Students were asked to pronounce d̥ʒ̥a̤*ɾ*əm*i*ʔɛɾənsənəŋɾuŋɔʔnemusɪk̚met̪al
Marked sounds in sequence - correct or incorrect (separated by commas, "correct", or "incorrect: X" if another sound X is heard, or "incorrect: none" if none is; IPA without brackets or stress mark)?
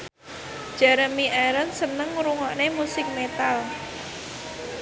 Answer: correct, correct